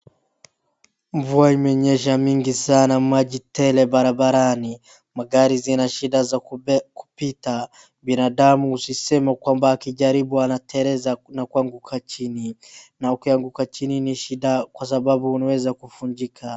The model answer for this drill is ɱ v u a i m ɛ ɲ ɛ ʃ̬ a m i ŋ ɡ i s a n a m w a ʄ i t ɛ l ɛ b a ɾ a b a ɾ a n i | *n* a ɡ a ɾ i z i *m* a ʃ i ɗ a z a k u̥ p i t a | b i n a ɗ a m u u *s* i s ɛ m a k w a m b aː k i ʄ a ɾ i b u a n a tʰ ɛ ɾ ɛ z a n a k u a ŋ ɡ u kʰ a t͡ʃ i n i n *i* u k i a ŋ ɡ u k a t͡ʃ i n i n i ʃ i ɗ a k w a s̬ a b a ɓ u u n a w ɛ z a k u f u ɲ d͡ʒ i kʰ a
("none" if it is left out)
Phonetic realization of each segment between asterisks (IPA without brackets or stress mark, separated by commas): m, n, s, a